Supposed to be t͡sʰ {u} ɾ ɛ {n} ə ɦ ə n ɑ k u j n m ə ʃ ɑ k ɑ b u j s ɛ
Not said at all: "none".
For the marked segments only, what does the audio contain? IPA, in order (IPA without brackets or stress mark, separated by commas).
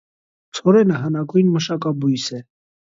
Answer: ɔ, n